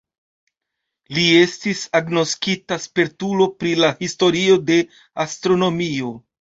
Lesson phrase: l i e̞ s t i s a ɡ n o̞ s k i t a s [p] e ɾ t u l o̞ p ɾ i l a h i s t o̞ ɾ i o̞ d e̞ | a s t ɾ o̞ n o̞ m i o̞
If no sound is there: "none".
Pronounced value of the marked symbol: p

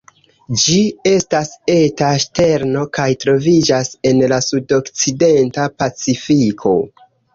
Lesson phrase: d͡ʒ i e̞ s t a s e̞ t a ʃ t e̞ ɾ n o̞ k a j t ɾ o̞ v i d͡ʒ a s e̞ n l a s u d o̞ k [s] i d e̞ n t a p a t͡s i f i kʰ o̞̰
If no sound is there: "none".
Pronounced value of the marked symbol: t͡s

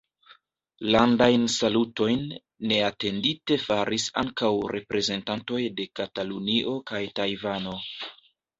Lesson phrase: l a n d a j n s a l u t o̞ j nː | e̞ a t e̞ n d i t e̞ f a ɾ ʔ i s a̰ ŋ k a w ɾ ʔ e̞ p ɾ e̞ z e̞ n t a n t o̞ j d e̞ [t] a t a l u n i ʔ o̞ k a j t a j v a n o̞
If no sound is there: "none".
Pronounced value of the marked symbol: k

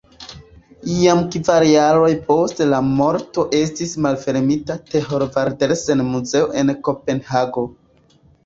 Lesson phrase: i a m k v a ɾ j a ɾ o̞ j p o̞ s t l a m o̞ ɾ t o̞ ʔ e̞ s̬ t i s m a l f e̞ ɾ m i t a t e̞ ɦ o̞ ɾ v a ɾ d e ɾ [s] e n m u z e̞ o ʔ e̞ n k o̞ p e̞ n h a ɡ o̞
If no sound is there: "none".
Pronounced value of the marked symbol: s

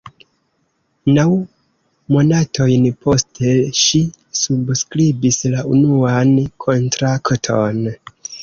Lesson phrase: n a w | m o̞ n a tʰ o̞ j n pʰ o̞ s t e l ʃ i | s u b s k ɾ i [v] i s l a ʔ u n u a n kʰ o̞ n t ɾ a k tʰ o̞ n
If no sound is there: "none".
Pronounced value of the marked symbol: b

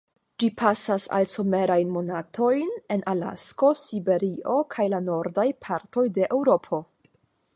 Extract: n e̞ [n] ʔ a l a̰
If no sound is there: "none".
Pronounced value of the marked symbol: n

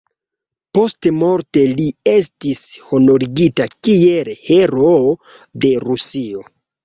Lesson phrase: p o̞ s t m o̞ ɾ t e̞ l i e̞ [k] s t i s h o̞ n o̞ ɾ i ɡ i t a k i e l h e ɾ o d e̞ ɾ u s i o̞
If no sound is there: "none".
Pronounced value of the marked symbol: none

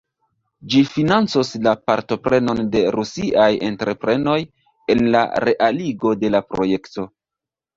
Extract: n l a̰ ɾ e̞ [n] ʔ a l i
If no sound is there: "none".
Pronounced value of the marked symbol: none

